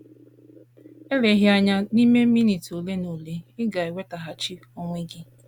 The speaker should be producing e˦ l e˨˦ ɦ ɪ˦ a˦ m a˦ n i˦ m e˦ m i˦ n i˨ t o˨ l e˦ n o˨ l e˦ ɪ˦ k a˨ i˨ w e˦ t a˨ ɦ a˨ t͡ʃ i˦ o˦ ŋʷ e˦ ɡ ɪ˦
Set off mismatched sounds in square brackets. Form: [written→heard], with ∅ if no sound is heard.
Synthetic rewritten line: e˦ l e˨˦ ɦ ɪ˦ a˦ [m→ɲ] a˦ n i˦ m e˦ m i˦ n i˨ t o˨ l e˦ n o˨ l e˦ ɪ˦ [k→ɡ] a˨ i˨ w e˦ t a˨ ɦ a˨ t͡ʃ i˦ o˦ ŋʷ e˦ ɡ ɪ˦